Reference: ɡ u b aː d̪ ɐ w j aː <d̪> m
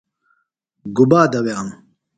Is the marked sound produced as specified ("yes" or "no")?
no